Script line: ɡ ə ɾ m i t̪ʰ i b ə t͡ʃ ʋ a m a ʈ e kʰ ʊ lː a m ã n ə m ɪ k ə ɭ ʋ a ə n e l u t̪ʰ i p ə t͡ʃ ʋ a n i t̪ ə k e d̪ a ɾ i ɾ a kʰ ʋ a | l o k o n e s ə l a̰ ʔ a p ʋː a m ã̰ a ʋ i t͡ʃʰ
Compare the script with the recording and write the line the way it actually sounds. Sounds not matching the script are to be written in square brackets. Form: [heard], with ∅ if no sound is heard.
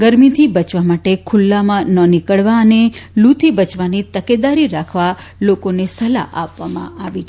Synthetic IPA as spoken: ɡ ə ɾ m i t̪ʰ i b ə t͡ʃ ʋ a m a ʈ e kʰ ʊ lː a m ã n ə [n] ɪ k ə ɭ ʋ a ə n e l u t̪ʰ i [b] ə t͡ʃ ʋ a n i t̪ ə k e d̪ a ɾ i ɾ a kʰ ʋ a | l o k o n e s ə l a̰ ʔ a p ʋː a m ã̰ a ʋ i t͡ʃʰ